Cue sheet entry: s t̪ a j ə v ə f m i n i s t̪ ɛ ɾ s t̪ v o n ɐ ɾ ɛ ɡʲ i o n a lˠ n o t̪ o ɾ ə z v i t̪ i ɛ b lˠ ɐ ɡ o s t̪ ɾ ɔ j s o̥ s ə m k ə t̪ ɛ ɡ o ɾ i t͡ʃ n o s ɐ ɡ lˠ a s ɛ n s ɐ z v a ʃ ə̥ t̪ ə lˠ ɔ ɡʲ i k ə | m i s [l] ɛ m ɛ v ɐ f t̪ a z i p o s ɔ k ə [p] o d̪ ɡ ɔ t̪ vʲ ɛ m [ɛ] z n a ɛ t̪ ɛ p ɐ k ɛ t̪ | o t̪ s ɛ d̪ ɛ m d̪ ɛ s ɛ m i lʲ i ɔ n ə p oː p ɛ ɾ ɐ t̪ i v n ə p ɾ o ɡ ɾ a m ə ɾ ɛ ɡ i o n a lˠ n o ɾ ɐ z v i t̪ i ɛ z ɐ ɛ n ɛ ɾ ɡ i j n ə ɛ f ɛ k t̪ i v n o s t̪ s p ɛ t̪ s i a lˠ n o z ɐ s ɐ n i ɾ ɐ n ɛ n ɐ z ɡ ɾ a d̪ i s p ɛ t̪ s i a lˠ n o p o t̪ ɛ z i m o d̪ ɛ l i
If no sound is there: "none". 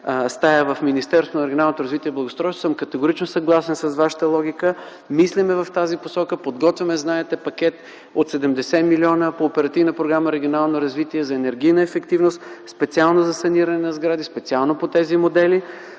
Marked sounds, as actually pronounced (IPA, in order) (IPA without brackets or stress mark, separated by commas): l, p, ɛ